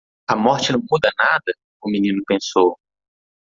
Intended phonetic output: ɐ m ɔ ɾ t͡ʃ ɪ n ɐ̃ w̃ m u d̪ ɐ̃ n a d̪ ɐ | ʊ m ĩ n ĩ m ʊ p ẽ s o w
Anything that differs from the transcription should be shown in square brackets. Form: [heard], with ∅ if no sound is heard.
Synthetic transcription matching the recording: ɐ m ɔ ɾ t͡ʃ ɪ n ɐ̃ w̃ m u d̪ [ɐ] n a d̪ ɐ | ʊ m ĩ n ĩ [n] ʊ p ẽ s o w